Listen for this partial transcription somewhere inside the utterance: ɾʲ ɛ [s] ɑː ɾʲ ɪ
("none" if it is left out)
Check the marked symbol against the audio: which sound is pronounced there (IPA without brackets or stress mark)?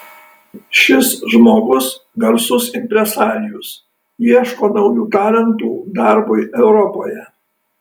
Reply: s